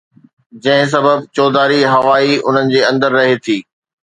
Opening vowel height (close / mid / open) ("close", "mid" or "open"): open